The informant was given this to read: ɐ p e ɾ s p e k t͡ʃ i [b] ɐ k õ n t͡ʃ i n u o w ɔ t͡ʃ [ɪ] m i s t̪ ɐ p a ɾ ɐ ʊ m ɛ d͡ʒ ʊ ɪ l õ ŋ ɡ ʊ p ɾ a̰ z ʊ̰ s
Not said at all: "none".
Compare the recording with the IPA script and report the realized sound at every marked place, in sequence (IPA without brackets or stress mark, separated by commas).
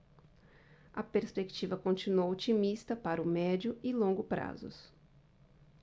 v, i